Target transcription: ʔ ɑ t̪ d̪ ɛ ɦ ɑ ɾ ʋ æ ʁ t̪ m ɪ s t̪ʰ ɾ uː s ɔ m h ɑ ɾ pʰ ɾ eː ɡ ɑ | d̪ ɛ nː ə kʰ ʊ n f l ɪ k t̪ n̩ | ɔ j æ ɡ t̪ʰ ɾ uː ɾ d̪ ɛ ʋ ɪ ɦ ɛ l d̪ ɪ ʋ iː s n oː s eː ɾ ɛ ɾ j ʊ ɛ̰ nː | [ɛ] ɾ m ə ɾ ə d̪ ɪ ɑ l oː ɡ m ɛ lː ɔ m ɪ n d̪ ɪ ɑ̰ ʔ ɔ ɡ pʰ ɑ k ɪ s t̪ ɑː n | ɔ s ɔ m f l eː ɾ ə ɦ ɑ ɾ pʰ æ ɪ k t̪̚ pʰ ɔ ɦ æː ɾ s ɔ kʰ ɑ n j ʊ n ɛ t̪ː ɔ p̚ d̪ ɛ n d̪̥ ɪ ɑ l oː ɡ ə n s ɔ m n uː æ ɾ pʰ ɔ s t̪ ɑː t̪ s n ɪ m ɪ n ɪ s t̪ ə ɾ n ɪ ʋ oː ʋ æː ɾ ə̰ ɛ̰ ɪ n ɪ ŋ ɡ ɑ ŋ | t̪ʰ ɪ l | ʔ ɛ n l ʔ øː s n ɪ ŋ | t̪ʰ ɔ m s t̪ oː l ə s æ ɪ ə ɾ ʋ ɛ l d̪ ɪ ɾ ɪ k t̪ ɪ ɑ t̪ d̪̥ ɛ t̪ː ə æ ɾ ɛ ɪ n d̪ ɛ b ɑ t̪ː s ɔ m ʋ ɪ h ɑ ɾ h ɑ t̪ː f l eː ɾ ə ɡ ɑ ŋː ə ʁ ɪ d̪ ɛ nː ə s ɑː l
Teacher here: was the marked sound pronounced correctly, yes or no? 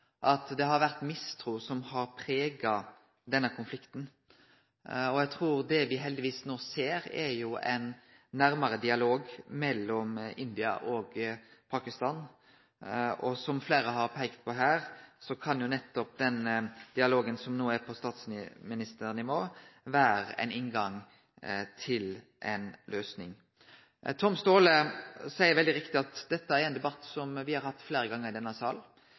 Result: no